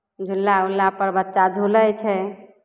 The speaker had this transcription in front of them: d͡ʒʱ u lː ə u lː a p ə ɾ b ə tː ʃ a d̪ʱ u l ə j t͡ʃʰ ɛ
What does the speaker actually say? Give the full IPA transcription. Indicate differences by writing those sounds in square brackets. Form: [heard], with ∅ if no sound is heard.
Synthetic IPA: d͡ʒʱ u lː [a] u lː a p ə ɾ b ə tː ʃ a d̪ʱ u l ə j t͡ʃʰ ɛ